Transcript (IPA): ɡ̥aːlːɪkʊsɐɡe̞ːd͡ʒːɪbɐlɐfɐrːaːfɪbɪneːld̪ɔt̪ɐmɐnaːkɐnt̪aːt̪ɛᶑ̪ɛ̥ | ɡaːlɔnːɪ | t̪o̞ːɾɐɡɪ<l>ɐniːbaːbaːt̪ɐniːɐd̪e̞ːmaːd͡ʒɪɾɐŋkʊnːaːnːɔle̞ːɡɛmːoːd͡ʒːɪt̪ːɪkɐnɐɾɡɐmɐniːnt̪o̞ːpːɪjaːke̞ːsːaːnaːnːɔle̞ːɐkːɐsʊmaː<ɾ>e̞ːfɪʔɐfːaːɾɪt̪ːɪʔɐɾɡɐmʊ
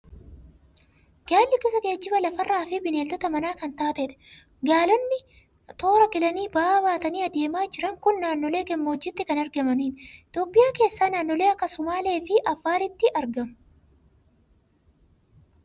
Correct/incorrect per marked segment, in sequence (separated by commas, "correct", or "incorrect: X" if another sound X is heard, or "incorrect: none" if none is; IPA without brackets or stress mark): correct, incorrect: l